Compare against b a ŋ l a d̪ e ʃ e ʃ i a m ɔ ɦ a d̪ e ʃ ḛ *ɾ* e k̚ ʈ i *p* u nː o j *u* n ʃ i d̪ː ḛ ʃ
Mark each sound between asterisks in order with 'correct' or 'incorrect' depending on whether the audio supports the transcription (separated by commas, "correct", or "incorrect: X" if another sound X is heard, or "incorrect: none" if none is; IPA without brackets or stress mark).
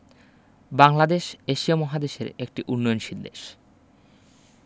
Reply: correct, incorrect: ʔ, incorrect: o